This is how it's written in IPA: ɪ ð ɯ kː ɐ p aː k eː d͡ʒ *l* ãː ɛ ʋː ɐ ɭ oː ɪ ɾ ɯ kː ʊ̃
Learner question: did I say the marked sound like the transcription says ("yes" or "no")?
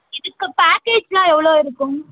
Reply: yes